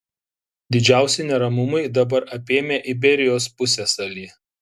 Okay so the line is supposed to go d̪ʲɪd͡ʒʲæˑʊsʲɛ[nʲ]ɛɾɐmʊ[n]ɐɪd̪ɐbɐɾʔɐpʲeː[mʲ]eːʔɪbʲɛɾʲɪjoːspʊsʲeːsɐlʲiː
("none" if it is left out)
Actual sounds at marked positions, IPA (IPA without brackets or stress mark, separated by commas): nʲ, m, mʲ